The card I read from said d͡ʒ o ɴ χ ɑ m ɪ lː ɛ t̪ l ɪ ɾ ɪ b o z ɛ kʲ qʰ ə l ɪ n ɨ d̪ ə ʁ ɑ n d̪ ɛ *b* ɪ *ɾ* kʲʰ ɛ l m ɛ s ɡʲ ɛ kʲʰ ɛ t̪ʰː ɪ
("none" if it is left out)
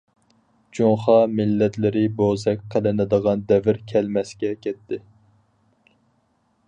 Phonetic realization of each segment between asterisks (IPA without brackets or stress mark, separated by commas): v, ɾ